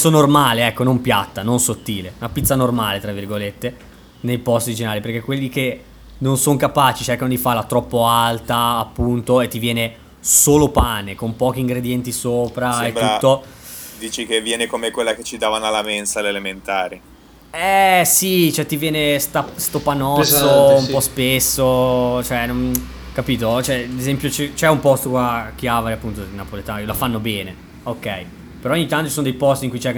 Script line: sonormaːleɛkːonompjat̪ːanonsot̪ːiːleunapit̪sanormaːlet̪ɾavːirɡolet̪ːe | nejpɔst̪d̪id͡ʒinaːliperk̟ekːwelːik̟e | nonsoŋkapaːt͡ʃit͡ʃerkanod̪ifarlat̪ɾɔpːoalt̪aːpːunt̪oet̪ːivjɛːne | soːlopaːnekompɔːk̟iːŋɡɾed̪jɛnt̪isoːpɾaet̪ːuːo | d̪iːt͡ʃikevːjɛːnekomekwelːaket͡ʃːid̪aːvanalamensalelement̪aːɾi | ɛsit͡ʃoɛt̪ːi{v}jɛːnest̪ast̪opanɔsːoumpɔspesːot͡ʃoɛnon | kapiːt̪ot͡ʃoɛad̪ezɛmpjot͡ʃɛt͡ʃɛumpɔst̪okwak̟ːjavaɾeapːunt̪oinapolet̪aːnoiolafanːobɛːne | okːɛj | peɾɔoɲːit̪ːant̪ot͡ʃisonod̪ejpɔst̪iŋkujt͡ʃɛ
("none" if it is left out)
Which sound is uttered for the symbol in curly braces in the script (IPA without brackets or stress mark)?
v